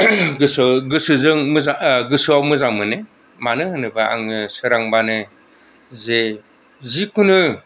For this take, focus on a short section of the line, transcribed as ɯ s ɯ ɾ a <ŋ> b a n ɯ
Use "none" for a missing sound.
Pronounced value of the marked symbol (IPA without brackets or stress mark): ŋ